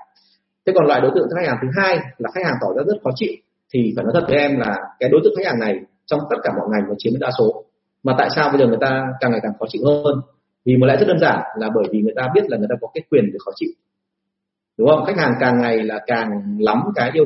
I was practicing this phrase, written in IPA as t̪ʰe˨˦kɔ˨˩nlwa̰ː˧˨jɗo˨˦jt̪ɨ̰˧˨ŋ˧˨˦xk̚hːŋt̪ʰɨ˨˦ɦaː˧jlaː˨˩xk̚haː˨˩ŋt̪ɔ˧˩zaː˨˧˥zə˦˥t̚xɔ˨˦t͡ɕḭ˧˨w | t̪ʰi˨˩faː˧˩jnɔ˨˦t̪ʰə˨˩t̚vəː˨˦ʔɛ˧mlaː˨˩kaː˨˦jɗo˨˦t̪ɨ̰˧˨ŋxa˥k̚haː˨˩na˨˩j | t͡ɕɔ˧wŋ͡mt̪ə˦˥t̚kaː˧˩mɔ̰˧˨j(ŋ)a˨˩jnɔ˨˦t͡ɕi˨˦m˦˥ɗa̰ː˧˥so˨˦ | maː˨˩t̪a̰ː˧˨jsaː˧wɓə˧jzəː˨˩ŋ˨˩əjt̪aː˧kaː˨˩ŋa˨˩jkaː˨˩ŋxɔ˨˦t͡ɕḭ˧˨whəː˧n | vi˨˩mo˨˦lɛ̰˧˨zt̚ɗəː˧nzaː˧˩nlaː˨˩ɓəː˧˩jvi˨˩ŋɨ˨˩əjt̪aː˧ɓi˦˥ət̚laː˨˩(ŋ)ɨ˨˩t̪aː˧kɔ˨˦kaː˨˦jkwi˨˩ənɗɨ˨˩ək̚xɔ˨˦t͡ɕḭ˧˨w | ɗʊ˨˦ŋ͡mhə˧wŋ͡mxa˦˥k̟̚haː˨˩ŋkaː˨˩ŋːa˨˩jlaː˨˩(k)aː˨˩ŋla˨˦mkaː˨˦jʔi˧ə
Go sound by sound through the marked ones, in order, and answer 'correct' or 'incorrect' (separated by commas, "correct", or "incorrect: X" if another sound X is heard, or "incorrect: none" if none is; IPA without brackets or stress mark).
correct, correct, correct